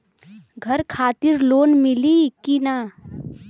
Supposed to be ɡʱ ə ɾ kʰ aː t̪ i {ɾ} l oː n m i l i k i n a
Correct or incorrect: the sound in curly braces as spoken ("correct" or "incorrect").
correct